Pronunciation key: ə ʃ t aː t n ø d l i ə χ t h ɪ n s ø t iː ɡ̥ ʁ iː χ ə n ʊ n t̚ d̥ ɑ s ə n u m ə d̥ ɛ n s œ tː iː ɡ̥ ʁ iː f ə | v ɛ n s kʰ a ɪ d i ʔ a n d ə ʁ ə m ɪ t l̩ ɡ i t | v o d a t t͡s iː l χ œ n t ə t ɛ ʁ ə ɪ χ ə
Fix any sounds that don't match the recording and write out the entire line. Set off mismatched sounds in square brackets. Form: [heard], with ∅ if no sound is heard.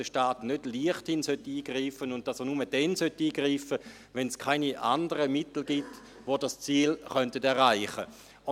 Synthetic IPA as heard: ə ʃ t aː t n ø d l i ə χ t h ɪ n s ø t iː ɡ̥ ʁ iː [f] ə n ʊ n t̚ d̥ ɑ s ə n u m ə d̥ ɛ n s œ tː iː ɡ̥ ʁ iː f ə | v ɛ n s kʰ a ɪ [n] i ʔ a n d ə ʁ ə m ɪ t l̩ ɡ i t | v o d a [s] t͡s iː l χ œ n t ə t ɛ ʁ [a] ɪ χ ə

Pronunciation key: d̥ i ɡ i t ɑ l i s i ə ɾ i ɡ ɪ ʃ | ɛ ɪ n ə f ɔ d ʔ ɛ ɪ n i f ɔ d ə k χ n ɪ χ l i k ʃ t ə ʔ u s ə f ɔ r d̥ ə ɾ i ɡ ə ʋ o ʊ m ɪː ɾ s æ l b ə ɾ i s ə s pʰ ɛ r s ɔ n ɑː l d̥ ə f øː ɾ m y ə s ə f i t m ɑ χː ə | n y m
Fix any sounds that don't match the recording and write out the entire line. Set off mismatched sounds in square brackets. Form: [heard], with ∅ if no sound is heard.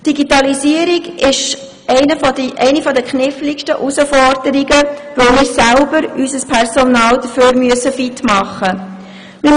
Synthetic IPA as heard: d̥ i ɡ i t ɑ l i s i ə ɾ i ɡ ɪ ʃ | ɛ ɪ n ə f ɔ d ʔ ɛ ɪ n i f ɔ d ə k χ n ɪ [f] l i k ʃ t ə ʔ u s ə f ɔ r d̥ ə ɾ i ɡ ə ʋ o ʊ m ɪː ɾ s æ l b ə ɾ [y] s ə s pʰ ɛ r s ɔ n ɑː l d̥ ə f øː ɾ m y ə s ə f i t m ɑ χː ə | n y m

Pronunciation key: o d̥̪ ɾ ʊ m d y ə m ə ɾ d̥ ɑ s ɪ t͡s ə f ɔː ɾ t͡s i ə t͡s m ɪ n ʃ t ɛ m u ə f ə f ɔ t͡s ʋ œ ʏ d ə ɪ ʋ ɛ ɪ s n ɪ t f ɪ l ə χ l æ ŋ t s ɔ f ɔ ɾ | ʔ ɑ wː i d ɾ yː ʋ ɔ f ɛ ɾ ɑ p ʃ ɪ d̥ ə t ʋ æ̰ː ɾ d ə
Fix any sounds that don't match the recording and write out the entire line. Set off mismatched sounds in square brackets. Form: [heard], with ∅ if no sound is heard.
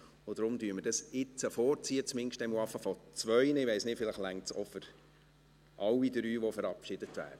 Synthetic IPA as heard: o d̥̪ ɾ ʊ m d y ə m ə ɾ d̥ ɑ s ɪ t͡s ə f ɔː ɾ t͡s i ə t͡s m ɪ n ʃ t ɛ m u [ɑ] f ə f ɔ t͡s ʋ œ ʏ [n] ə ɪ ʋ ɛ ɪ s n ɪ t f ɪ l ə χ l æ ŋ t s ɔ f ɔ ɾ | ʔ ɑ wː i d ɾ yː ʋ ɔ f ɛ ɾ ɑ p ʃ ɪ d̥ ə t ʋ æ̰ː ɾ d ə

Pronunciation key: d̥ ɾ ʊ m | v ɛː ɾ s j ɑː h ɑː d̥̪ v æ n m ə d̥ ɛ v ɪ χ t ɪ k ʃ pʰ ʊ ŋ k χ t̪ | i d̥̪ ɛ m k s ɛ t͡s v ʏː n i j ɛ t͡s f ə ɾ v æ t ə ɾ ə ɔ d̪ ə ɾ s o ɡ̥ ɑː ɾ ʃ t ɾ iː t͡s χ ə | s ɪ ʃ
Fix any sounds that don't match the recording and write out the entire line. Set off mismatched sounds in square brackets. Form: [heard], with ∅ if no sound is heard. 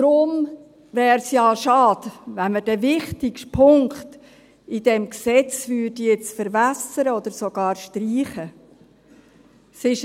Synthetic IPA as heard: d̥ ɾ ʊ m | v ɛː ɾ s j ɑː [ʃ] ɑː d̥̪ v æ n m ə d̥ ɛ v ɪ χ t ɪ k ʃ pʰ ʊ ŋ k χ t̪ | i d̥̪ ɛ m k s ɛ t͡s v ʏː [d] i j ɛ t͡s f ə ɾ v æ [s] ə ɾ ə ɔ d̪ ə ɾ s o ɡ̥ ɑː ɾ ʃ t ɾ iː [∅] χ ə | s ɪ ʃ

